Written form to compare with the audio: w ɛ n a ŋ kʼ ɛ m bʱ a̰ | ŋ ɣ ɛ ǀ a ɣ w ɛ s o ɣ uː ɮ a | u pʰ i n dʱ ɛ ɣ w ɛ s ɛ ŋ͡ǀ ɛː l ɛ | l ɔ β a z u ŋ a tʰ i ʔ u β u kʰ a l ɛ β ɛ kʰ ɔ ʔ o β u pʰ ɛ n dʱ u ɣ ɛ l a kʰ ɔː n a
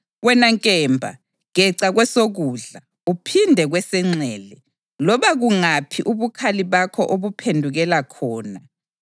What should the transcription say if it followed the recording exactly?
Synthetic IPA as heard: w ɛ n a ŋ kʼ ɛ m bʱ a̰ | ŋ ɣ ɛ ǀ a ɣ w ɛ s o ɣ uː ɮ a | u pʰ i n dʱ ɛ ɣ w ɛ s ɛ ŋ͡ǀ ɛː l ɛ | l ɔ β a ɣ u ŋ a pʰ i ʔ u β u kʰ a l i β a kʰ ɔ ʔ o β u pʰ e n dʱ u ɣ ɛ l a kʰ ɔː n a